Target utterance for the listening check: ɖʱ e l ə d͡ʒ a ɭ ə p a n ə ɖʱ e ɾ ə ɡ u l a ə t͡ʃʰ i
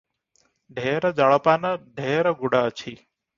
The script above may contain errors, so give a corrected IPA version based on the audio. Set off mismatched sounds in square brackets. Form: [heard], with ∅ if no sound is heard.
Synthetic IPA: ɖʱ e [ɾ] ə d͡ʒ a ɭ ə p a n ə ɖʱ e ɾ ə ɡ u [ɽ] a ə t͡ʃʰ i